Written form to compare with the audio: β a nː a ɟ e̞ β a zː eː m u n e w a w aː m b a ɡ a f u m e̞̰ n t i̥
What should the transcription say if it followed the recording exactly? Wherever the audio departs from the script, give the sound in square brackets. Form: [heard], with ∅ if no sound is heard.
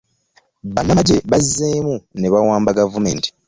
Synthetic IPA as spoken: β a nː a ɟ e̞ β a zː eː m u n e [β] a w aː m b a ɡ a [v] u m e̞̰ n t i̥